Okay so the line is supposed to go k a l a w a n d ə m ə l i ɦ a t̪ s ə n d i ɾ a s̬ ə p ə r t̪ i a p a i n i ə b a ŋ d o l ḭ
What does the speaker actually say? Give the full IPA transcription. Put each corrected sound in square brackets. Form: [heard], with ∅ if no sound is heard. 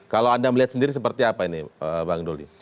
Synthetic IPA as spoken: k a l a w a n d [a] m ə l i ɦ a t̪ s ə n d i ɾ [i] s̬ ə p ə r t̪ i a p a i n i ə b a ŋ d o l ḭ

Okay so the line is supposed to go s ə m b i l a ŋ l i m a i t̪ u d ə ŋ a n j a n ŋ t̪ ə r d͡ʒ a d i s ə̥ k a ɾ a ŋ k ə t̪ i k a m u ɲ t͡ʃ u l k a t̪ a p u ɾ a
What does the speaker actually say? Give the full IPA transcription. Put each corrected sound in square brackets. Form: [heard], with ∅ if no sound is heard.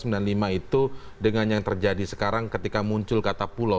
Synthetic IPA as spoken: s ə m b i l a [n] l i m a i t̪ u d ə ŋ a n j a [∅] ŋ t̪ ə r d͡ʒ a d i s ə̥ k a ɾ a ŋ k ə t̪ i k a m u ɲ t͡ʃ [ʊ] l k a t̪ a p u [l] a

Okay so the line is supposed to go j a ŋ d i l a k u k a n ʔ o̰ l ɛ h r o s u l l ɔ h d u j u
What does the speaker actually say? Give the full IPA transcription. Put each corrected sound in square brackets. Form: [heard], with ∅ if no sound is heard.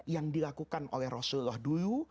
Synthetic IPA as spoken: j a ŋ d i l a k u k a n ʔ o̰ l ɛ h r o s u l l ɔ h d u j u

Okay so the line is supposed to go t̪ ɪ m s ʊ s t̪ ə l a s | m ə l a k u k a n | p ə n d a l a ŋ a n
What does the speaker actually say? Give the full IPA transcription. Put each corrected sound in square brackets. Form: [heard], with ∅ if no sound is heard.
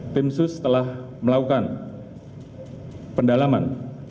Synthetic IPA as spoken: t̪ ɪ m s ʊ s t̪ ə l a [h] | m ə l a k u k a n | p ə n d a l a [m] a n

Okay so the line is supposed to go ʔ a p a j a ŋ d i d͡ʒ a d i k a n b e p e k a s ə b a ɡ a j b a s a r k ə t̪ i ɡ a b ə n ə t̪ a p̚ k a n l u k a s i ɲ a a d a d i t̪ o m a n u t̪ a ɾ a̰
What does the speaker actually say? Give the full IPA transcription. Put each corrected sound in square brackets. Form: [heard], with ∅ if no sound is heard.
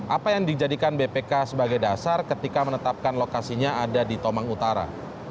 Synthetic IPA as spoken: ʔ a p a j a ŋ d i d͡ʒ a d i k a n b e p e k a s ə b a ɡ a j [d] a s a r k ə t̪ i [k] a [m] ə n ə t̪ a p̚ k a n l [o] k a s i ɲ a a d a d i t̪ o m a [ŋ] u t̪ a ɾ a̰

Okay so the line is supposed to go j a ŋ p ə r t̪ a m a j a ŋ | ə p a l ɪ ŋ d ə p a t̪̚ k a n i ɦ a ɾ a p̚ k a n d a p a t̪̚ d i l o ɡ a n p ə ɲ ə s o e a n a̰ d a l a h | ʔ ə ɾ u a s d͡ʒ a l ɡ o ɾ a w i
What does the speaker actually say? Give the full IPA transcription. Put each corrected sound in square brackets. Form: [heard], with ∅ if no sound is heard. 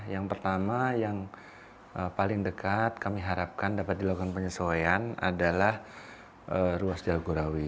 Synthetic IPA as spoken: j a ŋ p ə r t̪ a m a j a ŋ | ə p a l ɪ ŋ d ə [k] a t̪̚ k a [m] i ɦ a ɾ a p̚ k a n d a p a t̪̚ d i l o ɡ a n p ə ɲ ə s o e a n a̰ d a l a h | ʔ ə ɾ u a s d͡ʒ a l ɡ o ɾ a w i

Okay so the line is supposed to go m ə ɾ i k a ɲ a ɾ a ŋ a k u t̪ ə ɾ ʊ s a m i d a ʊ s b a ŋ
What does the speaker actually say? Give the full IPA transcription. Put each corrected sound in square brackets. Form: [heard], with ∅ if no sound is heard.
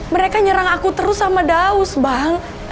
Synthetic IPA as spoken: m ə ɾ [e] k a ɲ [ə] ɾ a ŋ a k u t̪ ə ɾ ʊ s a m [a] d a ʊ s b a ŋ

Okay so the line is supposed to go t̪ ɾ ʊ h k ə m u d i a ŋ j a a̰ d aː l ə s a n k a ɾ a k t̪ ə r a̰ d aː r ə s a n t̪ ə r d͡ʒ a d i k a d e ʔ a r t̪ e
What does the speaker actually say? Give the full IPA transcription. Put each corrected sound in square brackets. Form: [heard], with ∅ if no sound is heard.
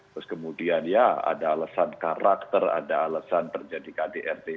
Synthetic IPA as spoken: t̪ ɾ ʊ [s] k ə m u d i a [n] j a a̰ d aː l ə s a n k a ɾ a k t̪ ə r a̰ d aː [l] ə s a n t̪ ə r d͡ʒ a d i k a d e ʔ [ɛ] r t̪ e

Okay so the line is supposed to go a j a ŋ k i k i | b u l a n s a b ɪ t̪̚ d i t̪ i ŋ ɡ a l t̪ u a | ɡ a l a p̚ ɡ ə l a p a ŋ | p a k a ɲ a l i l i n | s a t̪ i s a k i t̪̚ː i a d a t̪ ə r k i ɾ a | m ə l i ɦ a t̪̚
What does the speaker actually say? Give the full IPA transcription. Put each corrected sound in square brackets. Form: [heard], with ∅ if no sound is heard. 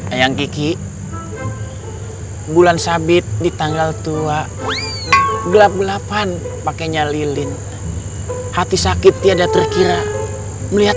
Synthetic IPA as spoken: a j a ŋ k i k i | b u l a n s a b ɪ t̪̚ d i t̪ [a] ŋ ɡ a l t̪ u a | ɡ [ə] l a p̚ ɡ ə l a p a [n] | p a k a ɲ a l i l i n | [h] a t̪ i s a k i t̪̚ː i a d a t̪ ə r k i ɾ a | m ə l i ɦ a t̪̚

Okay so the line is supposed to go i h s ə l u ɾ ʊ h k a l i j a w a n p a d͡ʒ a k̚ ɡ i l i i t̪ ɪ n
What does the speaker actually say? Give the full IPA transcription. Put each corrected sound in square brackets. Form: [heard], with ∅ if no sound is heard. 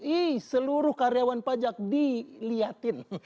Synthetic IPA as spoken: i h s ə l u ɾ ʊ h k a [ɾ] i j a w a n p a d͡ʒ a k̚ [d] i l i [a] t̪ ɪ n

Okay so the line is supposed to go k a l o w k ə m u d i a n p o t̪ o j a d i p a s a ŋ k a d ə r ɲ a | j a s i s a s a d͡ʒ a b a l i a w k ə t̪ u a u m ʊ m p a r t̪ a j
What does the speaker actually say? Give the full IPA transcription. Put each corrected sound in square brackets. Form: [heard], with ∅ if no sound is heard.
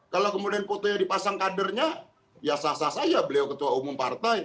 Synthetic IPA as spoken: k a l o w k ə m u d i a n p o t̪ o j a d i p a s a ŋ k a d ə r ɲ a | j a s [a] s a s a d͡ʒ a b [ə] l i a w k ə t̪ u a u m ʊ m p a r t̪ a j

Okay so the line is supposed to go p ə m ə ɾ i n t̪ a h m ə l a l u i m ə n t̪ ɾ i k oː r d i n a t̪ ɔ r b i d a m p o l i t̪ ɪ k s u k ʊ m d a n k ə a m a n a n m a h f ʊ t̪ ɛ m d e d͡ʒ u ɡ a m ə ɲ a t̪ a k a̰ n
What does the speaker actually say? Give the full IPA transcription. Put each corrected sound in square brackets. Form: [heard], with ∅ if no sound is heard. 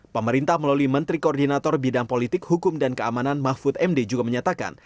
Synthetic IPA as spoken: p ə m ə ɾ i n t̪ a h m ə l a l u i m ə n t̪ ɾ i k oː r d i n a t̪ ɔ r b i d a [ŋ] p o l i t̪ ɪ k [h] u k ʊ m d a n k ə a m a n a n m a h f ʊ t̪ ɛ m d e d͡ʒ u ɡ a m ə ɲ a t̪ a k a̰ n

